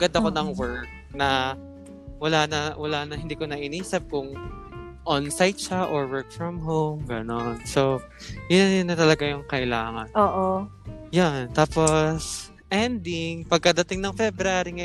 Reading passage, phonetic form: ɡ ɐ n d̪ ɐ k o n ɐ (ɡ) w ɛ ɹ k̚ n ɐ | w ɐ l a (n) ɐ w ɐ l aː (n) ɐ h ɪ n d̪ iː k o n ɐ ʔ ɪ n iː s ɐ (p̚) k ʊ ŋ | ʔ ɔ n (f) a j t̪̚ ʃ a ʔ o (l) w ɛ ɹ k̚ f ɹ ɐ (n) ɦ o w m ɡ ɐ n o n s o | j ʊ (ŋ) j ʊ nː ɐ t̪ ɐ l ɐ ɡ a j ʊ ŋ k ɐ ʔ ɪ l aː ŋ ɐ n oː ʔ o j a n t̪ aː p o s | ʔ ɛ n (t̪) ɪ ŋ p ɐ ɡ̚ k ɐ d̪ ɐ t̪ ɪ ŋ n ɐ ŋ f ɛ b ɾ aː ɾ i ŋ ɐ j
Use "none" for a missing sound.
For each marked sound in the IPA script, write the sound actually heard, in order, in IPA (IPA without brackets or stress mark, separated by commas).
ŋ, n, n, p̚, s, ɹ, m, n, d̪